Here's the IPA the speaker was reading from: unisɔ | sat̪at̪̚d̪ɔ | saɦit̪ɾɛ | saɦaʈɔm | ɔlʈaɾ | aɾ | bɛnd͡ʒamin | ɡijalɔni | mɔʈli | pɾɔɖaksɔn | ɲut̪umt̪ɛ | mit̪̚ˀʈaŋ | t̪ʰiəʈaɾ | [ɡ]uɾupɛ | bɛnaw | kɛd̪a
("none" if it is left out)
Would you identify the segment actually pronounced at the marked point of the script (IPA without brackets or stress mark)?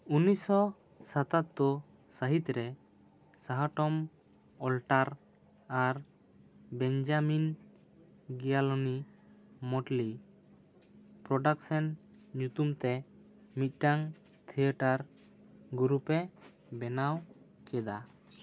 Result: ɡ